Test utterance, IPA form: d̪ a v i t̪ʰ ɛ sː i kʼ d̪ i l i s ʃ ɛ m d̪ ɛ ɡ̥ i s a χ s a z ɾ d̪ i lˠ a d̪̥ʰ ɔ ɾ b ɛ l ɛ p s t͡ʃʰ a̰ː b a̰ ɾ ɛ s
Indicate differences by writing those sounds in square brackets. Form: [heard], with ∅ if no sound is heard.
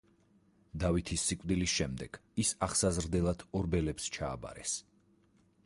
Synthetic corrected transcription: d̪ a v i t̪ʰ [i] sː i kʼ d̪ i l i s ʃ ɛ m d̪ ɛ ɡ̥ i s a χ s a z ɾ d̪ [ɛ] lˠ a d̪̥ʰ ɔ ɾ b ɛ l ɛ p s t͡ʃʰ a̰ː b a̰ ɾ ɛ s